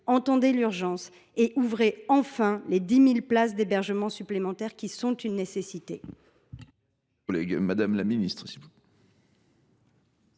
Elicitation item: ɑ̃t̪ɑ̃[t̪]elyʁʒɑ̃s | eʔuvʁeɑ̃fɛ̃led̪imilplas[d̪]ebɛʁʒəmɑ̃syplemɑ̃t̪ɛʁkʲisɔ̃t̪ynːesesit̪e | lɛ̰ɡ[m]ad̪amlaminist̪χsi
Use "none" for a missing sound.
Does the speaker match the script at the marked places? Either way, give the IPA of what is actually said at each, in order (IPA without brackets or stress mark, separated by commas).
d̪, d̪, m